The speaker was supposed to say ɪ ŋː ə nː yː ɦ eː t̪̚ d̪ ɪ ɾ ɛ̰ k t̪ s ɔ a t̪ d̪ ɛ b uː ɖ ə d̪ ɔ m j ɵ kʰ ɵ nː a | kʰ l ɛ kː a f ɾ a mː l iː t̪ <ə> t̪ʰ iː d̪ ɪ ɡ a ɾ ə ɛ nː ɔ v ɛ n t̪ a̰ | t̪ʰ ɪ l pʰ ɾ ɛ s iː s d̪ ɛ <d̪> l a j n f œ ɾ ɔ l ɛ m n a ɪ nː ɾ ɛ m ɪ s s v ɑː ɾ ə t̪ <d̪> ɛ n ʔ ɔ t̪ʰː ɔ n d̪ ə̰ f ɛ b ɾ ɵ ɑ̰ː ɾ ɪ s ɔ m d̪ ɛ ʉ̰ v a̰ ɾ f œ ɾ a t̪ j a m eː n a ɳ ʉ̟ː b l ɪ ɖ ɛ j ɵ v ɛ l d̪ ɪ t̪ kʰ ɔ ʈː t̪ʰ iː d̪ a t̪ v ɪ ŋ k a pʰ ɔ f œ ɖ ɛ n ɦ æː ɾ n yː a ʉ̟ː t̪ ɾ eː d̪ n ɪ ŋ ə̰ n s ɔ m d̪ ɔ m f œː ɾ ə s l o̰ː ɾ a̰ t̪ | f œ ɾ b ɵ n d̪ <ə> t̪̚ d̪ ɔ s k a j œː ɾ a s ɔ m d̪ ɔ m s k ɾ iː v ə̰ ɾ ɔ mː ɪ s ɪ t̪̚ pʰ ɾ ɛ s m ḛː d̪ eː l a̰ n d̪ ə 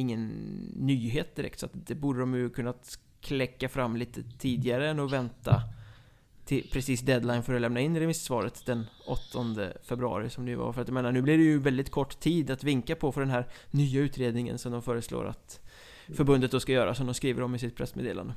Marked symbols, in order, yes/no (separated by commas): yes, yes, yes, yes